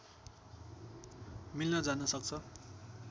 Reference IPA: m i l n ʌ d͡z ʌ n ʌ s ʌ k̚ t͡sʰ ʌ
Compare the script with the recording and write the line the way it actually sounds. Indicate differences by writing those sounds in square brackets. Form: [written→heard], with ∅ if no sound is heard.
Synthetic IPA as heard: m i l n ʌ d͡z [ʌ→a] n ʌ s ʌ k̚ t͡sʰ ʌ